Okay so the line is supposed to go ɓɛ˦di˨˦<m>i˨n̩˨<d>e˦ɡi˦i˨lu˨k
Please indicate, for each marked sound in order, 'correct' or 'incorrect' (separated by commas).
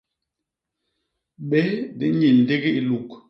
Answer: incorrect, correct